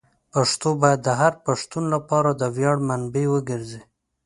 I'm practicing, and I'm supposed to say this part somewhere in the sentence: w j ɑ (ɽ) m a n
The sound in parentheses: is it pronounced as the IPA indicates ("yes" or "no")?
yes